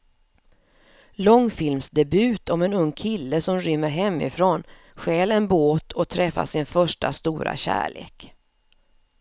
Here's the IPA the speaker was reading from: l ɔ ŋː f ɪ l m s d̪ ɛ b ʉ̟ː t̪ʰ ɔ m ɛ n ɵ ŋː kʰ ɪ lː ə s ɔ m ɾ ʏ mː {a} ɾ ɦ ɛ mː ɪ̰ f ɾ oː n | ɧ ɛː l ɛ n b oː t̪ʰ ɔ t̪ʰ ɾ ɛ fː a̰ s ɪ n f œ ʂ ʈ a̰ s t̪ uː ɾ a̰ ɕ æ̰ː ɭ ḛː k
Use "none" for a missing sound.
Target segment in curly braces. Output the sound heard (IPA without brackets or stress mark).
ə